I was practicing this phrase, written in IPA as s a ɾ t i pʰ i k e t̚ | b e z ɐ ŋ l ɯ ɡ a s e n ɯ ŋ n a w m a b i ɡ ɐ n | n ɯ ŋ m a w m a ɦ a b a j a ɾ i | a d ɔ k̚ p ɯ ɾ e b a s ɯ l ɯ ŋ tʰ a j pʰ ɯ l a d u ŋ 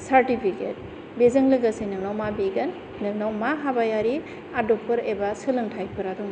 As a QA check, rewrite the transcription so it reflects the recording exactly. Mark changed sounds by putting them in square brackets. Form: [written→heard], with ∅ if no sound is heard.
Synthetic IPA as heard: s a ɾ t i pʰ i k e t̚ | b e z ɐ ŋ l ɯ ɡ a s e n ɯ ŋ n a w m a b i ɡ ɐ n | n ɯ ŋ [m→n] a w m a ɦ a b a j a ɾ i | a d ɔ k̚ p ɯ ɾ e b a s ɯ l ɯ ŋ tʰ a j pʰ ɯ [l→ɾ] a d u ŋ